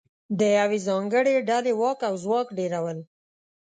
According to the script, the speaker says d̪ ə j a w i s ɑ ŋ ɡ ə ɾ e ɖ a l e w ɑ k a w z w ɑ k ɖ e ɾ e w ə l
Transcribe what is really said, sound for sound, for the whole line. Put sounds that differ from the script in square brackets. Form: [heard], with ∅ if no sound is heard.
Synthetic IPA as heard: d̪ ə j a w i [z] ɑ ŋ ɡ ə [ɽ] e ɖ a l e w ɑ k a w z w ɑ k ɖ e ɾ [a] w ə l